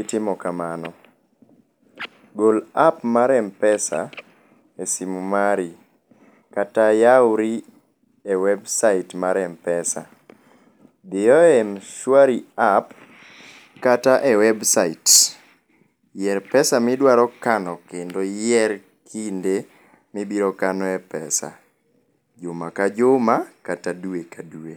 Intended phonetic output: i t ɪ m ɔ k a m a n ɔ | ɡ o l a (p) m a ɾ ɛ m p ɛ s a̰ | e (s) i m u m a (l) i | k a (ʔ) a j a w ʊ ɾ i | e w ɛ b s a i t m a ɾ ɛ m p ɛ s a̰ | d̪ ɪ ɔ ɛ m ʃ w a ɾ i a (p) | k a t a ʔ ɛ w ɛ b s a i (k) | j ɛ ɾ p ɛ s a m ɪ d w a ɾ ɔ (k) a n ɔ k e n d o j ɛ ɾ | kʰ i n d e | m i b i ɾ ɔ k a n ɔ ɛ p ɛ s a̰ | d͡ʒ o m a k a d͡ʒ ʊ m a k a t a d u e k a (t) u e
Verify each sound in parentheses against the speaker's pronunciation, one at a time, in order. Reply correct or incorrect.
correct, correct, incorrect, incorrect, correct, incorrect, correct, incorrect

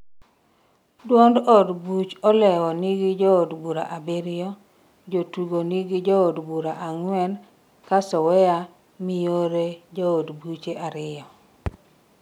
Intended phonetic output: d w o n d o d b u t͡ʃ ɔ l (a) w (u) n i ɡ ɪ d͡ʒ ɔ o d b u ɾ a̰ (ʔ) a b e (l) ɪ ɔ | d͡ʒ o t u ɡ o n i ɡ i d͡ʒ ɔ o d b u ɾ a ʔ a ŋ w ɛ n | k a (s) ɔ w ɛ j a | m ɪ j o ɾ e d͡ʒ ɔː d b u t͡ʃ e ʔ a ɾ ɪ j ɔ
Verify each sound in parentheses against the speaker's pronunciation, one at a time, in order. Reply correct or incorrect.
incorrect, incorrect, correct, incorrect, correct

